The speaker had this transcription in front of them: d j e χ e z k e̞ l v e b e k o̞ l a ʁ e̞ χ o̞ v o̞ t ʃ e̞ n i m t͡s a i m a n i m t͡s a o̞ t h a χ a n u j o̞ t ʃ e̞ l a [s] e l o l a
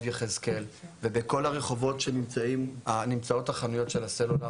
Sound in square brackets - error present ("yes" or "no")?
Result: no